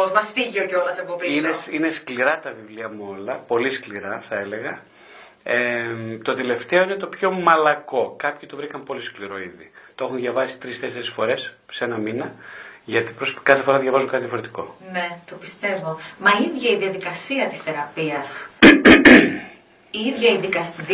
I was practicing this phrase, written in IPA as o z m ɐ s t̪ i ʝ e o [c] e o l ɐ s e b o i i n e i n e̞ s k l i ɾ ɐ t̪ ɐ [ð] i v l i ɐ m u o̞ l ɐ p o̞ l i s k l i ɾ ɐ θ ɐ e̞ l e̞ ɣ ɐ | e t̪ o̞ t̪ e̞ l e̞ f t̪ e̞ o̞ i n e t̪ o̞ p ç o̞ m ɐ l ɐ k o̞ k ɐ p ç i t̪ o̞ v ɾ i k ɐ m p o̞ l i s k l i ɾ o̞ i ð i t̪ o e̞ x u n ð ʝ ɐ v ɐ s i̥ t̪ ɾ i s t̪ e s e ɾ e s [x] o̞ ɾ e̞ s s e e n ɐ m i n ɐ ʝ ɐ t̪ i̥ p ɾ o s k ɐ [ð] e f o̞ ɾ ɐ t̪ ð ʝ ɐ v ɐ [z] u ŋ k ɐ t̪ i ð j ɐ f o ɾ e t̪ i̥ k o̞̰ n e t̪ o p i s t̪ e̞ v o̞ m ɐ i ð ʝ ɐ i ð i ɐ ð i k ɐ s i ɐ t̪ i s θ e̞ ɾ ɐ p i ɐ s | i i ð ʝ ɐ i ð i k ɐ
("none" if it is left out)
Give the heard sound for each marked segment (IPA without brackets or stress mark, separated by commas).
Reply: c, v, f, θ, z